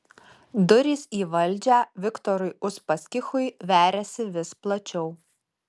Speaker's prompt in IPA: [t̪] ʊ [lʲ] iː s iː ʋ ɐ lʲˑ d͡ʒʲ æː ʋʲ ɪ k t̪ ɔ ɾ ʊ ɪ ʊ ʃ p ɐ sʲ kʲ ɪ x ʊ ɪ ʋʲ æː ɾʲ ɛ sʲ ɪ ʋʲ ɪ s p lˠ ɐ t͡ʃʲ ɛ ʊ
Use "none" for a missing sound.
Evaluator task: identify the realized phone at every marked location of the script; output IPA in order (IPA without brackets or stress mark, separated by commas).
d̪, ɾʲ